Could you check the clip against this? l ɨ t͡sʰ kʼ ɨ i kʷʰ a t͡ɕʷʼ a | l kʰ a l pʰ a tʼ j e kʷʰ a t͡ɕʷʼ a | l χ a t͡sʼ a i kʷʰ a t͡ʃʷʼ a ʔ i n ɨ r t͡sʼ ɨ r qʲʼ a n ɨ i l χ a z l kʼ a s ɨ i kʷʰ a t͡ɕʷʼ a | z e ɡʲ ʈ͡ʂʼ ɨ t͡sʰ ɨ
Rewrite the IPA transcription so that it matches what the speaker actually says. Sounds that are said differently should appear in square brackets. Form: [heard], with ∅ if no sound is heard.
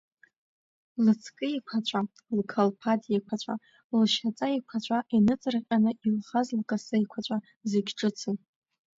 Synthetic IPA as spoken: l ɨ t͡sʰ kʼ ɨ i kʷʰ a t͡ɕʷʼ a | l kʰ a l pʰ a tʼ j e kʷʰ a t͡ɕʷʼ a | l [ʃ] a t͡sʼ a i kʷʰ a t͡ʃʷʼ a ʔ i n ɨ [∅] t͡sʼ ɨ r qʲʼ a n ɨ i l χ a z l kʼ a s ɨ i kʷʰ a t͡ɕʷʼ a | z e ɡʲ ʈ͡ʂʼ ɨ t͡sʰ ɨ